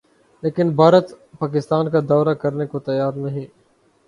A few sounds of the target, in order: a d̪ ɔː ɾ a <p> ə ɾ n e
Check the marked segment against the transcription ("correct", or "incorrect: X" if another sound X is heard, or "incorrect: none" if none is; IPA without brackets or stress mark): incorrect: k